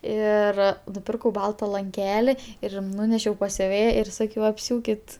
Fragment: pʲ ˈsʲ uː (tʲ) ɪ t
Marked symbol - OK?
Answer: no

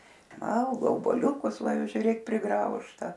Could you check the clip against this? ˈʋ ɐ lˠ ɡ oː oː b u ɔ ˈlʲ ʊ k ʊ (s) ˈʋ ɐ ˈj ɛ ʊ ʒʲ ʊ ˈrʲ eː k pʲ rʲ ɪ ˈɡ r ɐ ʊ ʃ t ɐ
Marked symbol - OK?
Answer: yes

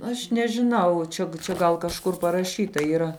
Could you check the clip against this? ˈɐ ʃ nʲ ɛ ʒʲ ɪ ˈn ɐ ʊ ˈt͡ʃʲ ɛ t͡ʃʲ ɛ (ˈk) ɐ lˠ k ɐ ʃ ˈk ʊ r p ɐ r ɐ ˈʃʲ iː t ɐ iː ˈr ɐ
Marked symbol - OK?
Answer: no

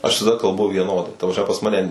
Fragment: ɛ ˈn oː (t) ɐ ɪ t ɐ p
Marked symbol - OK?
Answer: no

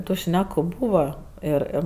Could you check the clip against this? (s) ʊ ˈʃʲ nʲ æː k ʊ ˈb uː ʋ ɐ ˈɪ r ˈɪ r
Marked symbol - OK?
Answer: no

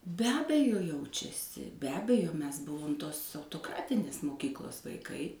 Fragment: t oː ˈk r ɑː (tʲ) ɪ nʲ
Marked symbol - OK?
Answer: yes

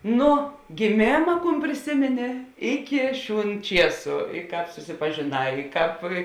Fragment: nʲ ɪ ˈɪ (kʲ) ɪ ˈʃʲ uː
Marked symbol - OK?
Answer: yes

